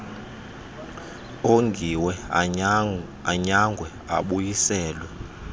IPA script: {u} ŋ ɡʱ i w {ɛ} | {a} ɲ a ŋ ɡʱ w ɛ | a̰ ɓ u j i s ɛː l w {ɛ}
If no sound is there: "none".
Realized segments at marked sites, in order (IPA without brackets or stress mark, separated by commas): o, ɛ, a, ɛ